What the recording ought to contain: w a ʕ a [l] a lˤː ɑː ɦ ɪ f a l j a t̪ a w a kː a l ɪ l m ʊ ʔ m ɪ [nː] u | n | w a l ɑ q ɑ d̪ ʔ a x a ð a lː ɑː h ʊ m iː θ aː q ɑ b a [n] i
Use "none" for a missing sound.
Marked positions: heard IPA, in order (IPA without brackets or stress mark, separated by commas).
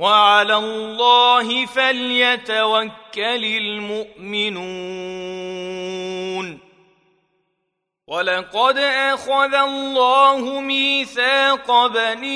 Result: l, n, n